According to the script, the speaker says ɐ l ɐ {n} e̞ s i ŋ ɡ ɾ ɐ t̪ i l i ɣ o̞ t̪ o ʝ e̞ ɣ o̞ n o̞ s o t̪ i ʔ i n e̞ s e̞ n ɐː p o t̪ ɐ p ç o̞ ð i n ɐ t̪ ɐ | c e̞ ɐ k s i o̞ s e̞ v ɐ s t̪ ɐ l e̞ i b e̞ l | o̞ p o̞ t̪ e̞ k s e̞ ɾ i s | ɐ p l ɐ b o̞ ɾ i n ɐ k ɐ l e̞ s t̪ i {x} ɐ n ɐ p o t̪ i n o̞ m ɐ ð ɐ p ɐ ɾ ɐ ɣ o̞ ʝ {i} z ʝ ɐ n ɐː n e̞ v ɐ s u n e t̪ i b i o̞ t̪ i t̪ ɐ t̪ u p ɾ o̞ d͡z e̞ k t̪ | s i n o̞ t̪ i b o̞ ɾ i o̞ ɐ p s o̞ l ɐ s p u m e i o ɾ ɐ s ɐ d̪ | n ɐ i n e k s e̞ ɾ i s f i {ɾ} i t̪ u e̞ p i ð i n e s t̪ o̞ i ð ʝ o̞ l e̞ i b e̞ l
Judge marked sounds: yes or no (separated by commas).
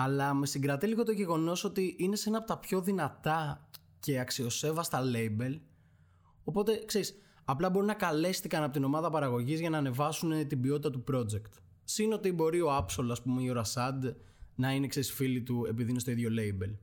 no, no, yes, no